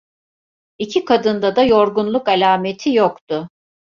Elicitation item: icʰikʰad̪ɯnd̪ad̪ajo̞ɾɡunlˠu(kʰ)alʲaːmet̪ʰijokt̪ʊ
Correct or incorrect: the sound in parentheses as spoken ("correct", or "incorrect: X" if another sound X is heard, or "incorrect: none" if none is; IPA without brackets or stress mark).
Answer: incorrect: k